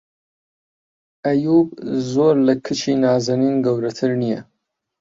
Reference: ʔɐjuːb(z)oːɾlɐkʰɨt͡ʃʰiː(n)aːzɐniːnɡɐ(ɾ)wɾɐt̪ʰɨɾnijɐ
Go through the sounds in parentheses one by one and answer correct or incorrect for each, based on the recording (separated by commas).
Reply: correct, correct, incorrect